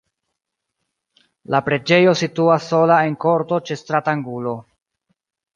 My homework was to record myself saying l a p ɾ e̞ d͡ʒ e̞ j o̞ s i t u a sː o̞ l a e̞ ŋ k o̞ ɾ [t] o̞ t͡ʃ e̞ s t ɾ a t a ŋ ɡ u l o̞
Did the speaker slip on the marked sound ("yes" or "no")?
no